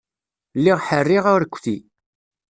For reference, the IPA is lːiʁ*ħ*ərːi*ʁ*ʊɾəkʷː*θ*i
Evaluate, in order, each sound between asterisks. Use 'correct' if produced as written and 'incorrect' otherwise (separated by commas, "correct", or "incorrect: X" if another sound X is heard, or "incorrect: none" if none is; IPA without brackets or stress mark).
correct, correct, correct